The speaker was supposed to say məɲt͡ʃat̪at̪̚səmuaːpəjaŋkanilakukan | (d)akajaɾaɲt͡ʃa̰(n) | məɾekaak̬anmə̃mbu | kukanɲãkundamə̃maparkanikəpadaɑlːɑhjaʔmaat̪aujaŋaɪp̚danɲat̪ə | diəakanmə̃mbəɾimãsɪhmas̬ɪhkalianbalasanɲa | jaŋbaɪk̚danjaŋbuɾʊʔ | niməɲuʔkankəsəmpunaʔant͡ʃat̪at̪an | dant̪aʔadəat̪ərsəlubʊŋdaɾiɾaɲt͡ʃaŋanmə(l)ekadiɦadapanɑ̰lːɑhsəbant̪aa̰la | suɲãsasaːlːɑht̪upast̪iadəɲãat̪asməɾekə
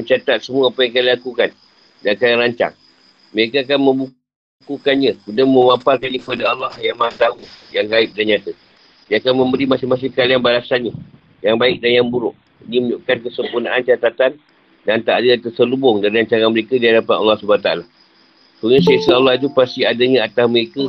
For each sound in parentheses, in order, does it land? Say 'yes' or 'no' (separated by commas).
yes, no, no